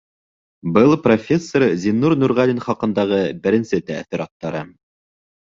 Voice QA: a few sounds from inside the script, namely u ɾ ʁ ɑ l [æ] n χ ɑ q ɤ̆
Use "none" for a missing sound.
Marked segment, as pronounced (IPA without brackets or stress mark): i